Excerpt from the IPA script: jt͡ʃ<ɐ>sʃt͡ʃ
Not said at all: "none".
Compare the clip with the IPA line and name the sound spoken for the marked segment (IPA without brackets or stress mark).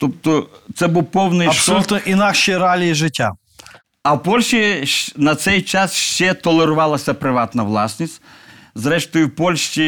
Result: a